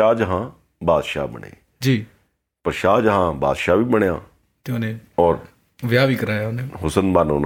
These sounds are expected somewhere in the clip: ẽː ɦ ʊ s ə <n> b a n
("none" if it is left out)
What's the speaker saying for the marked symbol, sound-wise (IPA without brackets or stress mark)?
n